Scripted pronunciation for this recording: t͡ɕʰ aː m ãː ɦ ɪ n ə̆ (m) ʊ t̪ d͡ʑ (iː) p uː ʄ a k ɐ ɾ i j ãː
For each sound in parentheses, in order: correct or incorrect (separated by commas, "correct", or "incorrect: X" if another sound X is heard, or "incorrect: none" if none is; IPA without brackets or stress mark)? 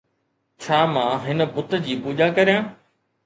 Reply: incorrect: b, correct